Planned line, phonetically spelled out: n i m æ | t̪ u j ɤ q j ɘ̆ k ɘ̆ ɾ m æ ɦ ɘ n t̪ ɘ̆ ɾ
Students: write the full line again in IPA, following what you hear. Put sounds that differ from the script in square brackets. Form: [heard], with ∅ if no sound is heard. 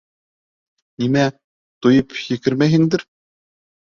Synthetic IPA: n i m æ | t̪ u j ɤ [p] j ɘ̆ k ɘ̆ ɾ m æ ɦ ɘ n [d̪] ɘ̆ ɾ